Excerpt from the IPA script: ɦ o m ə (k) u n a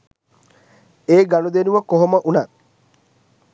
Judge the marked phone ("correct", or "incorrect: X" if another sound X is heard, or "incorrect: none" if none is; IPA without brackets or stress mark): incorrect: ʔ